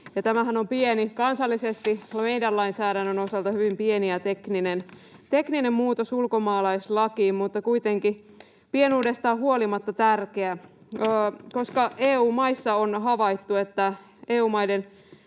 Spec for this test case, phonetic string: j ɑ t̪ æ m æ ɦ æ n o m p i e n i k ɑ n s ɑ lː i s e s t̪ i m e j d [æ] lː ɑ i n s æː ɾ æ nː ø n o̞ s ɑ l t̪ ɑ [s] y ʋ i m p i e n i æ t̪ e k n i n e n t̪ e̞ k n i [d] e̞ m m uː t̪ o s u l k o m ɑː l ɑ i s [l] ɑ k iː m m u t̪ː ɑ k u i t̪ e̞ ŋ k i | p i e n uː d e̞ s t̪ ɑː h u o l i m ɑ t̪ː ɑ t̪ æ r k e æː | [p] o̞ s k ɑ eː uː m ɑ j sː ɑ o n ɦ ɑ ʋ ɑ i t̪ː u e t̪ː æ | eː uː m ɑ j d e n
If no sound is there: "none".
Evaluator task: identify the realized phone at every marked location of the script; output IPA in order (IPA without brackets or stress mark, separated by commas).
æ, h, n, l, k